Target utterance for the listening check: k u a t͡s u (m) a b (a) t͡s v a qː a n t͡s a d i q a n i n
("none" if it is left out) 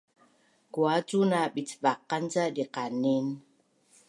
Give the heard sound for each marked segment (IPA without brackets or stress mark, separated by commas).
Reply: n, i